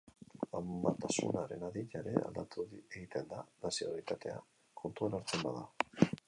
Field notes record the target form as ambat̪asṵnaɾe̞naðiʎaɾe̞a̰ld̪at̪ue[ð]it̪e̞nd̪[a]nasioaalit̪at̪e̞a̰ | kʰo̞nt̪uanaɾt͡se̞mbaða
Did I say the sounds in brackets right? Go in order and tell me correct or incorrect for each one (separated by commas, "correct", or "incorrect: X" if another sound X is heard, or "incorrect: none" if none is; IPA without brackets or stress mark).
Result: incorrect: ɣ, correct